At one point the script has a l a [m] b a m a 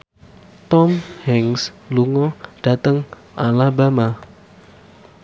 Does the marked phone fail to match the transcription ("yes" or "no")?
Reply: yes